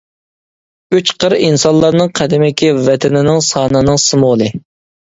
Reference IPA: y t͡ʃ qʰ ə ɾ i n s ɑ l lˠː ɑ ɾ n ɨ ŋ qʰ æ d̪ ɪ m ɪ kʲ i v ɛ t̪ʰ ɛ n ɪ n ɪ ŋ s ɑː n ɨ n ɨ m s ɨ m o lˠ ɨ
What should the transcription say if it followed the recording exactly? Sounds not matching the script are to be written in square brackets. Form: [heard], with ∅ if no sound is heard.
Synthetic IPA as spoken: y t͡ʃ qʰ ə ɾ i n s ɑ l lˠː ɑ ɾ n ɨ ŋ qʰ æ d̪ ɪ m ɪ kʲ i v ɛ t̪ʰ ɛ n ɪ n ɪ ŋ s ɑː n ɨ n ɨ [ŋ] s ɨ m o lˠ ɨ